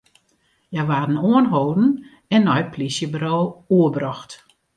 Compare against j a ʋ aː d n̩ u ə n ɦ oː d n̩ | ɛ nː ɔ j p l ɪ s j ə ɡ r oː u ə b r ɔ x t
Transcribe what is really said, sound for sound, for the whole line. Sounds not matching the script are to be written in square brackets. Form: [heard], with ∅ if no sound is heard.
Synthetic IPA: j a ʋ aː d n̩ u ə n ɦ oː d n̩ | ɛ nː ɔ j p l [i] s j ə [b] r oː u ə b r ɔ x t